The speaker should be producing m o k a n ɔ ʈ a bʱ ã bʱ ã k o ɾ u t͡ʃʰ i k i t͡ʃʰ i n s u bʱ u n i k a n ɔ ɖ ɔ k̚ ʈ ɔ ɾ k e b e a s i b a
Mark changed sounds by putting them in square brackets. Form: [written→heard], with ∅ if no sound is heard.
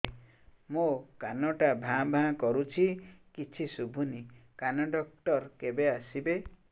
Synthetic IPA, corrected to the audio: m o k a n ɔ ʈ a bʱ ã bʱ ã k [o→ɔ] ɾ u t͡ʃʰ i k i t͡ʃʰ i [n→∅] s u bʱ u n i k a n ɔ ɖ ɔ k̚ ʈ ɔ ɾ k e b e a s i b [a→e]